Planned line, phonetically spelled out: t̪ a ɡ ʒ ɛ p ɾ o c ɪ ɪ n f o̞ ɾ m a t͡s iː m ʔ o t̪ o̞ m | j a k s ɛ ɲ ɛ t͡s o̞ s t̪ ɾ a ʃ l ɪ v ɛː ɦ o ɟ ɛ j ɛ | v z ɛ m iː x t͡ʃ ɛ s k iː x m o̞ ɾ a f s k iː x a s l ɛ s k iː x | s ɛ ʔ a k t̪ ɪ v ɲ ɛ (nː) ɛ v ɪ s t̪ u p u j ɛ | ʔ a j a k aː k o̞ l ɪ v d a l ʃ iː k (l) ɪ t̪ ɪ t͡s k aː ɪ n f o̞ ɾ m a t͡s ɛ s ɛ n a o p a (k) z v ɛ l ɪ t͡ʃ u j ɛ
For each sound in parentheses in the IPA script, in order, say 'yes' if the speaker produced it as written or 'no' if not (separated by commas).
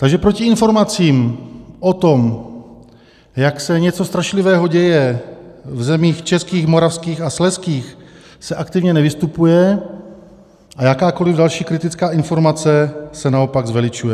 no, no, no